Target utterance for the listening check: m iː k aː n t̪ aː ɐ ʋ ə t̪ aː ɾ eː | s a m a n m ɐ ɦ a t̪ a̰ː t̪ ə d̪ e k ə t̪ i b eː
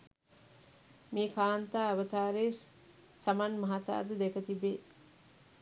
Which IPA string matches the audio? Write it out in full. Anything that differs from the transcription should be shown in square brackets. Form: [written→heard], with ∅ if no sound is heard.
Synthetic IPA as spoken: m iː k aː n t̪ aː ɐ ʋ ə t̪ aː ɾ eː | s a m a n m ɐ ɦ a t̪ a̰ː [t̪→d̪] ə d̪ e k ə t̪ i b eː

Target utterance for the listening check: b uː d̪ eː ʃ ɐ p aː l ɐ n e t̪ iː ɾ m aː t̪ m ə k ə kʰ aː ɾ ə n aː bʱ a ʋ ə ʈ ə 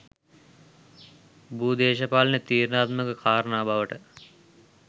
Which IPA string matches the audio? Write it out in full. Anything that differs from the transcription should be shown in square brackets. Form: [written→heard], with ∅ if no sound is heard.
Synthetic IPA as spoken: b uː d̪ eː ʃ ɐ p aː l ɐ n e t̪ iː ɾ [m→n] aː t̪ m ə k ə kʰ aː ɾ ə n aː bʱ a ʋ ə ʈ ə

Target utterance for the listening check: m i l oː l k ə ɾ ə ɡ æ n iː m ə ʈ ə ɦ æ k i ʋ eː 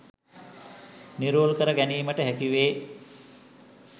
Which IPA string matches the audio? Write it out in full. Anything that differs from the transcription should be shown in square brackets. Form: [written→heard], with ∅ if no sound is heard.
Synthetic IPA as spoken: [m→n] i [l→ɾ] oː l k ə ɾ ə ɡ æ n iː m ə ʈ ə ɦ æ k i ʋ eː

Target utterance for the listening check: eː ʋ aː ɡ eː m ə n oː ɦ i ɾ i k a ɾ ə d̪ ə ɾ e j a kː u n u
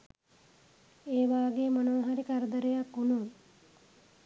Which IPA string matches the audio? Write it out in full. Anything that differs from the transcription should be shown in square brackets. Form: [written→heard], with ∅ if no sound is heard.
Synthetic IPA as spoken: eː ʋ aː ɡ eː m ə n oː ɦ [i→a] ɾ i k a ɾ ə d̪ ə ɾ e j a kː u n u

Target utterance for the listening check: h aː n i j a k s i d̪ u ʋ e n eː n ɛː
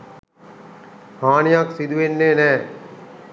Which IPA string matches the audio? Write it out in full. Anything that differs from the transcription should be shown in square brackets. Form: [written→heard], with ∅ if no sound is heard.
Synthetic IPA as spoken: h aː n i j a k s i d̪ u ʋ e [n→nː] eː n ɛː

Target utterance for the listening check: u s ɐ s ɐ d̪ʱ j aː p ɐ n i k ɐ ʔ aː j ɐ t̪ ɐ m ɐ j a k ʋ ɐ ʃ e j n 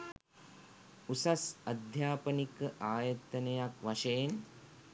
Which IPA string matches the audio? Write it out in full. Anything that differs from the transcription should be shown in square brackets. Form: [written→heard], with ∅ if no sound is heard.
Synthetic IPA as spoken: u s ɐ s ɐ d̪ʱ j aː p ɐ n i k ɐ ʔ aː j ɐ t̪ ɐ [m→n] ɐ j a k ʋ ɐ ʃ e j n

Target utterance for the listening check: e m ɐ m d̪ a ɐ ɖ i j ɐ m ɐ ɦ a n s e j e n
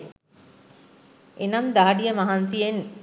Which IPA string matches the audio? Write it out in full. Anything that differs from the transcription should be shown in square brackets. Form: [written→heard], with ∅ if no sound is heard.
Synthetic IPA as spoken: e [m→n] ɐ m d̪ a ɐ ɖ i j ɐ m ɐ ɦ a n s [e→i] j e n

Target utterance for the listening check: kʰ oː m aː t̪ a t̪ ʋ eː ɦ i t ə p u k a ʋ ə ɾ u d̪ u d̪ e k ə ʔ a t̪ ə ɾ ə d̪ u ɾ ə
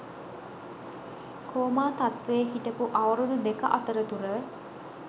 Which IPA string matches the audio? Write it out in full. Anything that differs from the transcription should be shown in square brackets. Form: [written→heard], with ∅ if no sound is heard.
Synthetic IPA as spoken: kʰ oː m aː t̪ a t̪ ʋ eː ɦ i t ə p u [k→ʔ] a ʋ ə ɾ u d̪ u d̪ e k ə ʔ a t̪ ə ɾ ə [d̪→t̪] u ɾ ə

